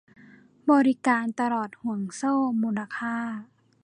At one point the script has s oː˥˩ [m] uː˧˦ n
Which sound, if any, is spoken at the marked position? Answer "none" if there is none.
m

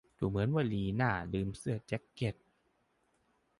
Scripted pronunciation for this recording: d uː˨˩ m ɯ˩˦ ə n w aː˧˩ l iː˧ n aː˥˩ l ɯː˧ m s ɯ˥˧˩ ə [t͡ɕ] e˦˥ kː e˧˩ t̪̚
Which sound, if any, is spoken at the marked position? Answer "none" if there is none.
t͡ɕ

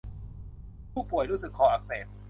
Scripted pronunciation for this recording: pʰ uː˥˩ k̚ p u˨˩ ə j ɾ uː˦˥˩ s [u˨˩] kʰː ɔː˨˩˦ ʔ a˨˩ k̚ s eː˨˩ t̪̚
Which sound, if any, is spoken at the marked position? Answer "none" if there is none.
ɯ˨˩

